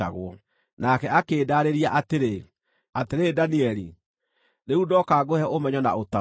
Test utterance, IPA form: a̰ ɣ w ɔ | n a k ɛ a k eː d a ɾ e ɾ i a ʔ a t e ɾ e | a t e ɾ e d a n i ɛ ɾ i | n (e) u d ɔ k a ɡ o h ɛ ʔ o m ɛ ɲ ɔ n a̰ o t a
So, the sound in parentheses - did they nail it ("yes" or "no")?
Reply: yes